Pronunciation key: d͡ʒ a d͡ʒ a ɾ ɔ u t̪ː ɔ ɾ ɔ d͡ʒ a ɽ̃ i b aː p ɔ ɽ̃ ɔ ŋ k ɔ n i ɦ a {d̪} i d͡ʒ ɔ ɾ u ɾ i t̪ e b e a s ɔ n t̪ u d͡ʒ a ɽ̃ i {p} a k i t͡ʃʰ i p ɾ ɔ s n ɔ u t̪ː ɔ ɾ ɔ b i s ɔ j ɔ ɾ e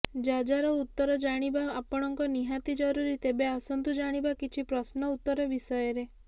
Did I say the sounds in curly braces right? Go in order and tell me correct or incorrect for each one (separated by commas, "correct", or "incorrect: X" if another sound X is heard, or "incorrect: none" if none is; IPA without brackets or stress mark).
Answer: incorrect: t̪, incorrect: b